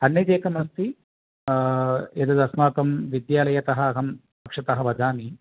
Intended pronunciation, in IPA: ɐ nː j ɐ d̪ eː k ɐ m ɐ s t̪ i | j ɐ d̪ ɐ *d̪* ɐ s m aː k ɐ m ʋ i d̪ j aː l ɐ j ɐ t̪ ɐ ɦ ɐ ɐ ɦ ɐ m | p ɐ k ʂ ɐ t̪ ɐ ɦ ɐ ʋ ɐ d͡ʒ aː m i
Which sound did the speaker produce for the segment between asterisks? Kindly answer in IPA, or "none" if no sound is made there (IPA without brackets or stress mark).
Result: d̪